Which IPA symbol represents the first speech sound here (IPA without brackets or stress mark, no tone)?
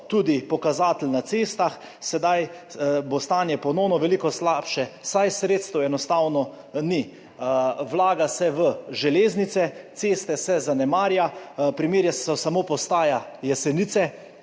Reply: t̪